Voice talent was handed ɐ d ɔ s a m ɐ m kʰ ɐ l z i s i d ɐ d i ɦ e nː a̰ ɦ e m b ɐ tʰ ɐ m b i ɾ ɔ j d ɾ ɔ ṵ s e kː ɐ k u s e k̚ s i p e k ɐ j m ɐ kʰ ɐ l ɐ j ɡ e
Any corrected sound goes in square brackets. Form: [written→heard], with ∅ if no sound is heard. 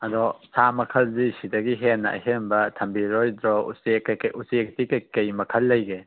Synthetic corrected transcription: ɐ d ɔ s a m ɐ [m→∅] kʰ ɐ l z i s i d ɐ [d→ɡ] i ɦ e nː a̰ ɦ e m b ɐ tʰ ɐ m b i ɾ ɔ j d ɾ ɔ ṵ s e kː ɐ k u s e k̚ [s→t] i [p→k] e k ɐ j m ɐ kʰ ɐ [l→lː] ɐ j ɡ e